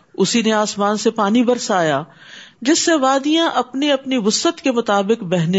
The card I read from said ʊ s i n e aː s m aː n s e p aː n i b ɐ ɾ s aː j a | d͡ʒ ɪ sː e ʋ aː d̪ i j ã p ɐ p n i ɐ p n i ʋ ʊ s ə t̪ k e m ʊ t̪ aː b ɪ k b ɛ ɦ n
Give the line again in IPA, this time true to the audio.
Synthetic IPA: ʊ s i n e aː s m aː n s e p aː n i b ɐ ɾ s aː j a | d͡ʒ ɪ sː e ʋ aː d̪ i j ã ʔ ɐ p n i ɐ p n i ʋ ʊ s ə t̪ k e m ʊ t̪ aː b ɪ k b ɛ ɦ n